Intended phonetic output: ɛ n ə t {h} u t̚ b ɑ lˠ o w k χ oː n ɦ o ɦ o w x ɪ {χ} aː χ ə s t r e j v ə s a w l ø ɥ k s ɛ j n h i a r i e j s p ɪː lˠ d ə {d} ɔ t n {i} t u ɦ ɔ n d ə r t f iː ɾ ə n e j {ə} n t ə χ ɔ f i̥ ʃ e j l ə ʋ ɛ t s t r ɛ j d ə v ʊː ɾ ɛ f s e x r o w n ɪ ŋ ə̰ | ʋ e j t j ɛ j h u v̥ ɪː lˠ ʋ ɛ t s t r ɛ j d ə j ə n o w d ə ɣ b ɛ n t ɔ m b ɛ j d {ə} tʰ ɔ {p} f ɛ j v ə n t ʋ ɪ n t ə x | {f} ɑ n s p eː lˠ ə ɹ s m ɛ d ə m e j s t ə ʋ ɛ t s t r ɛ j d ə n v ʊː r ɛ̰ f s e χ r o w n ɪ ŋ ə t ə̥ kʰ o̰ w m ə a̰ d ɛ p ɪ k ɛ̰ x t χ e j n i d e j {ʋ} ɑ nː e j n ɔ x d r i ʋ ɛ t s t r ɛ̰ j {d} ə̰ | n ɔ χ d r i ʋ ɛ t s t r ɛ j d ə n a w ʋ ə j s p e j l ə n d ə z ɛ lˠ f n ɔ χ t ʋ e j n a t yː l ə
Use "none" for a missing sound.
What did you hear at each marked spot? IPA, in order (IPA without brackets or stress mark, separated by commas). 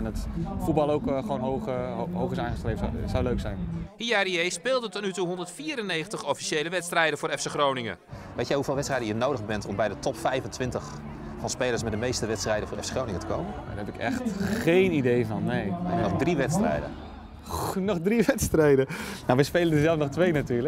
f, s, t, y, ə, ə, p, f, v, d